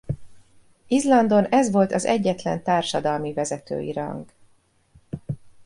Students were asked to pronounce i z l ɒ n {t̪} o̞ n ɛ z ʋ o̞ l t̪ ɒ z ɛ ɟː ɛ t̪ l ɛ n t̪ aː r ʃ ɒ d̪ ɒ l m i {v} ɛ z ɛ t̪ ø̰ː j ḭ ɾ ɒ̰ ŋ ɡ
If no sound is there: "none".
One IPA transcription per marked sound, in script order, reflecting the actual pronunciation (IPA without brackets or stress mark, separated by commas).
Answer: d̪, v